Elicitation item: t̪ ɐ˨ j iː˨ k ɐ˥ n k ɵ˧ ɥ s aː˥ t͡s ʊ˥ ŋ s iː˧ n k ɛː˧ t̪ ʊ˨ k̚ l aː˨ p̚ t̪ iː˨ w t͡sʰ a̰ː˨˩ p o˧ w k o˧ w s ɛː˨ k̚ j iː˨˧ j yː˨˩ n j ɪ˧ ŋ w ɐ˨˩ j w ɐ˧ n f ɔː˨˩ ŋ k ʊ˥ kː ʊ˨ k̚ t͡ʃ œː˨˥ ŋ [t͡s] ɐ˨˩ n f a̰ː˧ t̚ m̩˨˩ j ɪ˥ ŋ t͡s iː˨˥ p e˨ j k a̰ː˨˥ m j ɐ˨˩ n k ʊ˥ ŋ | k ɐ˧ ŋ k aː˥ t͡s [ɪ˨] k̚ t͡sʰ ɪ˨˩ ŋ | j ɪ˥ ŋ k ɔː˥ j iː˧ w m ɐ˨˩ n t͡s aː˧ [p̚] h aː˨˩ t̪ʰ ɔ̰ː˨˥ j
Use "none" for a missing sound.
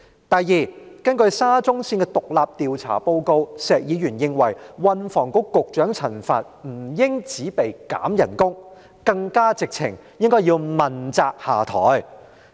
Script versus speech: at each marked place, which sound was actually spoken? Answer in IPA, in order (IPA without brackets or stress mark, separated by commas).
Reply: t͡sʰ, ɪ˨, k̚